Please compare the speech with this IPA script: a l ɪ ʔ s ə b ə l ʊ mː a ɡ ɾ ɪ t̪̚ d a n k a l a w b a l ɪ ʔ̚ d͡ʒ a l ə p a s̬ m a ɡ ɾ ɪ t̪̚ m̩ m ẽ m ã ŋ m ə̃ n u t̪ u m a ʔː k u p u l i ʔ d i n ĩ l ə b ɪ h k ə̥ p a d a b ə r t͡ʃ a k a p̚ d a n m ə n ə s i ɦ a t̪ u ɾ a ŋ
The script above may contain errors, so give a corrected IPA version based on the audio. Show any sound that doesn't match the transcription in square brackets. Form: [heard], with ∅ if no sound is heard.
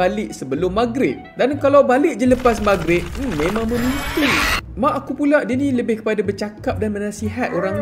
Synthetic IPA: a l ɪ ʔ s ə b ə l ʊ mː a ɡ ɾ ɪ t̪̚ d a n k a l a w b a l ɪ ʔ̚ d͡ʒ [ə] l ə p a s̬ m a ɡ ɾ ɪ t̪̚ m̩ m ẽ m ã ŋ m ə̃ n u t̪ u m a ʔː k u p u l [a] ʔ d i n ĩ l ə b ɪ h k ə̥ p a d a b ə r t͡ʃ a k a p̚ d a n m ə n [a] s i ɦ a t̪ [o] ɾ a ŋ